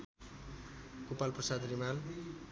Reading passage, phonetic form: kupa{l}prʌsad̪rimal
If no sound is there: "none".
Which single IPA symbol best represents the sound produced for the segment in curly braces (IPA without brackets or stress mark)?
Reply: l